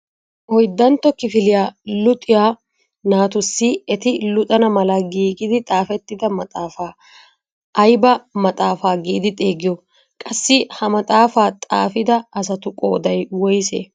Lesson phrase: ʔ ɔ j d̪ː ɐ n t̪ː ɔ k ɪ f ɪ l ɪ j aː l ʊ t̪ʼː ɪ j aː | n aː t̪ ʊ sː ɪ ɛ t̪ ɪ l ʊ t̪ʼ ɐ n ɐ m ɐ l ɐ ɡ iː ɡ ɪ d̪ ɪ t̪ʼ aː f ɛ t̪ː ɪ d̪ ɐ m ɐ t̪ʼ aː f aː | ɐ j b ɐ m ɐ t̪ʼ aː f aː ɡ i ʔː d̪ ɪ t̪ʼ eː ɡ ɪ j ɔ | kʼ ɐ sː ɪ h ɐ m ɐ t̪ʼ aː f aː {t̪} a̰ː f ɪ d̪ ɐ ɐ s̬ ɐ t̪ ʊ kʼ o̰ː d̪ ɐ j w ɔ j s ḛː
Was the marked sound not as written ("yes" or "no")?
yes